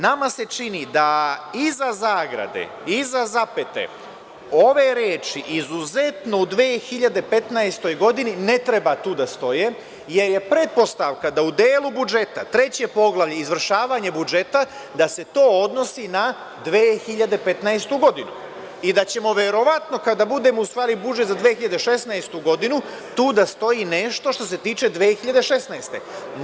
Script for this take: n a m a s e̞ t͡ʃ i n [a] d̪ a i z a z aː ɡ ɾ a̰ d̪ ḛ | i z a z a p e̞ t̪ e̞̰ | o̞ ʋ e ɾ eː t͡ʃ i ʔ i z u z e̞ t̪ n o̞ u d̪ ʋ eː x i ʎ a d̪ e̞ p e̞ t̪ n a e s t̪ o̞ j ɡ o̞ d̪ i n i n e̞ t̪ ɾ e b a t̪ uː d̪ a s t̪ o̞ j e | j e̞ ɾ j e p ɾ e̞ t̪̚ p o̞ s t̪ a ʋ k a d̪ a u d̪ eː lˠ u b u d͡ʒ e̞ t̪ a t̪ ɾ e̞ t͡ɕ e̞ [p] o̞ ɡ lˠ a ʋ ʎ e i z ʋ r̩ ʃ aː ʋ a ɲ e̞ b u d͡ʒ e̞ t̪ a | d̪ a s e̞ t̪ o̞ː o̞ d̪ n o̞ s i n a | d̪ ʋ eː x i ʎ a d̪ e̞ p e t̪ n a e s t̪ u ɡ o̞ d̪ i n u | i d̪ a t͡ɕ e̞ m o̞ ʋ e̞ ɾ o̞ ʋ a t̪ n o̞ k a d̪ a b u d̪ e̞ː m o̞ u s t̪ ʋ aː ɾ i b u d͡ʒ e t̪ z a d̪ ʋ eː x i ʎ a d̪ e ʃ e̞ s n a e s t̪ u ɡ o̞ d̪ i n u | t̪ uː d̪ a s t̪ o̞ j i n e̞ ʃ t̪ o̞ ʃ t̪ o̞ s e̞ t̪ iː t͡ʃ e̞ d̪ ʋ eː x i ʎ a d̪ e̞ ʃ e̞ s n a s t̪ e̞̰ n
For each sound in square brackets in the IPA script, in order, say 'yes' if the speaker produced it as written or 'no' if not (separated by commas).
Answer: no, yes